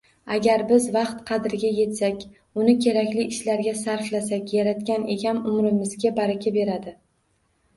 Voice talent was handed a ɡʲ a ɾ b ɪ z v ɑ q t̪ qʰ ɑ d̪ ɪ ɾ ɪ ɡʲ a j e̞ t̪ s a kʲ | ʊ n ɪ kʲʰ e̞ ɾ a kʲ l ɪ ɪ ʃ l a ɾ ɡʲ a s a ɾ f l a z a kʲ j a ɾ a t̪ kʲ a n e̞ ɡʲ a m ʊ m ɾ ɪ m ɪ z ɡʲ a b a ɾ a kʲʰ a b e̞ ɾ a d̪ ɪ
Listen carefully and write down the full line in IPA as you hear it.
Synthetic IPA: a ɡʲ a ɾ b ɪ z v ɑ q t̪ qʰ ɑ d̪ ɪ ɾ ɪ ɡʲ a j e̞ t̪ s a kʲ | ʊ n ɪ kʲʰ e̞ ɾ a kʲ l ɪ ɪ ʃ l a ɾ ɡʲ a s a ɾ f l a s a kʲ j a ɾ a t̪ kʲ a n e̞ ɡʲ a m ʊ m ɾ ɪ m ɪ z ɡʲ a b a ɾ a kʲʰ a b e̞ ɾ a d̪ ɪ